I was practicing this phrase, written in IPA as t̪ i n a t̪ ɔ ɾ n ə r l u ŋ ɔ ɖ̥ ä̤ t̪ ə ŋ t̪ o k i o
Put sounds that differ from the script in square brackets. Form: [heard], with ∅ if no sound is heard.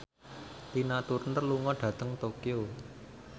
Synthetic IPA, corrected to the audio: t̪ i n a t̪ [u] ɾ n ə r l u ŋ ɔ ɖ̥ ä̤ t̪ ə ŋ t̪ o k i o